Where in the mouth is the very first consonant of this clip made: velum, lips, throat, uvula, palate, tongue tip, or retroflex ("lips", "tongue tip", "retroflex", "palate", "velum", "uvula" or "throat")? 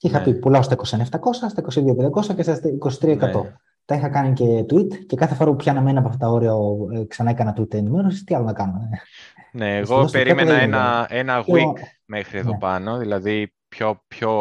velum